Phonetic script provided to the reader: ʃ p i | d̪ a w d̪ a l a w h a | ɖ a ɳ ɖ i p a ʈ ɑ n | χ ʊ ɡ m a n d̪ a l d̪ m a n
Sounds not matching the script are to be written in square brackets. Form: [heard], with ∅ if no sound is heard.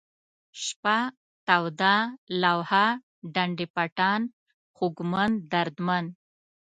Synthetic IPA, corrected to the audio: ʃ p [a] | [t̪] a w d̪ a l a w h a | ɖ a ɳ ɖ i p a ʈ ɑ n | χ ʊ ɡ m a n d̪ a [ɾ] d̪ m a n